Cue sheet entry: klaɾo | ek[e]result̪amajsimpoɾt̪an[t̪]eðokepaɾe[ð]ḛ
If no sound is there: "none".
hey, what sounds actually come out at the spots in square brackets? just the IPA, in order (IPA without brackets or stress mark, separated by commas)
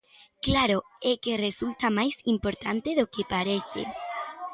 e, t̪, θ